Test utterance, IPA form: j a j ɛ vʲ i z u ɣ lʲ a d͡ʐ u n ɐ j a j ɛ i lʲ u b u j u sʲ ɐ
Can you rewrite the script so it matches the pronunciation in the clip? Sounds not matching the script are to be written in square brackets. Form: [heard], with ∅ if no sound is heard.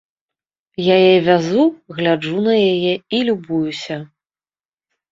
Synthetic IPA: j a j ɛ vʲ [a] z u ɣ lʲ a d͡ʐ u n ɐ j a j ɛ i lʲ u b u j u sʲ ɐ